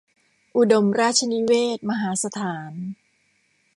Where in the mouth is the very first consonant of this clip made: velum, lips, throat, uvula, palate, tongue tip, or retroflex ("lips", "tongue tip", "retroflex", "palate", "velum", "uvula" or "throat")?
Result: throat